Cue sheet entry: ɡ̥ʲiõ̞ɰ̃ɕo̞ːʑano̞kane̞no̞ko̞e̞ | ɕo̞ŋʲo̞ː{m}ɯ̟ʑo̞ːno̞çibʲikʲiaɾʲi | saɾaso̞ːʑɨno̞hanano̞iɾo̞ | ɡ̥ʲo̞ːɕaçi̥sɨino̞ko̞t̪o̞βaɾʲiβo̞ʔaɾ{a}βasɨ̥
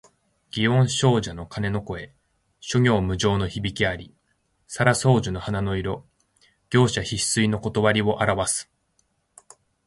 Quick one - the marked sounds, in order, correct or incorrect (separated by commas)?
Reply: correct, correct